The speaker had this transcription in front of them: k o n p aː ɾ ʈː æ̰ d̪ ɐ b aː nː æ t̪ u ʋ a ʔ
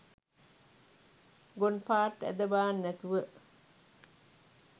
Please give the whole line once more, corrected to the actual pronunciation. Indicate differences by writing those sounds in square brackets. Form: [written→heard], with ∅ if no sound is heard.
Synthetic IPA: [k→ɡ] o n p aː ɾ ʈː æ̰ d̪ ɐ b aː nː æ t̪ u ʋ [a→ə] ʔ